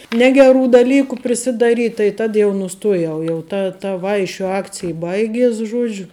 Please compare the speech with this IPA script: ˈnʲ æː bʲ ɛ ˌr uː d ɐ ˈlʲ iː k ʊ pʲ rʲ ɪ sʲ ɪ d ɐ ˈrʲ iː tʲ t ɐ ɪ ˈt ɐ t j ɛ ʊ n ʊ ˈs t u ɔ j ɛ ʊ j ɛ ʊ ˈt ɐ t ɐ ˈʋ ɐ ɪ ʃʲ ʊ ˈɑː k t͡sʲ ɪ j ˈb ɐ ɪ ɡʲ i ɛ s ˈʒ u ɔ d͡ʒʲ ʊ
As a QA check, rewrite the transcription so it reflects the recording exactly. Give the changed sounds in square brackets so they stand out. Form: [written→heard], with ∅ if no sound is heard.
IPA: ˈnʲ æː [bʲ→ɡʲ] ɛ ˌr uː d ɐ ˈlʲ iː k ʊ pʲ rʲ ɪ sʲ ɪ d ɐ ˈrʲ iː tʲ t ɐ ɪ ˈt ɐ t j ɛ ʊ n ʊ ˈs t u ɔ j ɛ ʊ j ɛ ʊ ˈt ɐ t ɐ ˈʋ ɐ ɪ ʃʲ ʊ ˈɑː k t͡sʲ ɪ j ˈb ɐ ɪ ɡʲ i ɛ s ˈʒ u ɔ d͡ʒʲ ʊ